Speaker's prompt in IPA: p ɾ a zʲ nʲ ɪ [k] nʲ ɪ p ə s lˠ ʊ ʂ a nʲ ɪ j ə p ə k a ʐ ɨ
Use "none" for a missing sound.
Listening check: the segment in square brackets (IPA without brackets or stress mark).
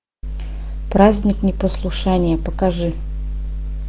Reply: k